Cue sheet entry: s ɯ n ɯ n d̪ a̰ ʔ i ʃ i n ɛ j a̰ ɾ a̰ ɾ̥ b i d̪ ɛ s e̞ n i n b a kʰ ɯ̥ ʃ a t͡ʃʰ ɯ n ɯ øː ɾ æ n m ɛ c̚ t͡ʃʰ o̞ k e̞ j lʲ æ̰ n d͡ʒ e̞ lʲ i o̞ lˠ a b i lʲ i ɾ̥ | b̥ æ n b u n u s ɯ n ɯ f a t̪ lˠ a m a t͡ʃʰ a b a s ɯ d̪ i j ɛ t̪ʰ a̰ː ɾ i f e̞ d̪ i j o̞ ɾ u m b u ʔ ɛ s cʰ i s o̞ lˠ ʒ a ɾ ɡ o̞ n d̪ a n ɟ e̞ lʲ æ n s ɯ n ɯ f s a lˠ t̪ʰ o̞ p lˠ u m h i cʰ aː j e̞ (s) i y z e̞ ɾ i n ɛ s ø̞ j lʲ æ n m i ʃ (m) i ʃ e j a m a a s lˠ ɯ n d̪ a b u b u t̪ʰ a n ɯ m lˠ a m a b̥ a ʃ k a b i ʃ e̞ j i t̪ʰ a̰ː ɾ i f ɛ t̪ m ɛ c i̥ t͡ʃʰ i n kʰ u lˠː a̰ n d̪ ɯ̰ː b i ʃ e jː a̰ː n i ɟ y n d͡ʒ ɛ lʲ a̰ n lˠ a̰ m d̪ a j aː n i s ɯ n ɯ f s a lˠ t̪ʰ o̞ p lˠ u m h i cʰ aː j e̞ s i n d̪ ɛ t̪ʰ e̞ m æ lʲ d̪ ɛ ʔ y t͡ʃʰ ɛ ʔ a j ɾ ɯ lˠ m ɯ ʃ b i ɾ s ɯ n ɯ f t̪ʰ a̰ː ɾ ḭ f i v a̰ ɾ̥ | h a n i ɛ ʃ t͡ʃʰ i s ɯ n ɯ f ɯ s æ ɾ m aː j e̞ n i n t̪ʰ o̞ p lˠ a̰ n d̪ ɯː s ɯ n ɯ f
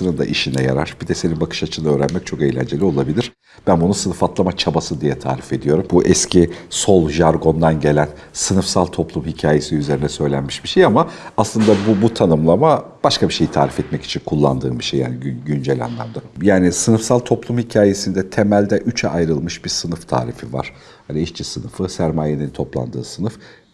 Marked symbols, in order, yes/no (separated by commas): yes, no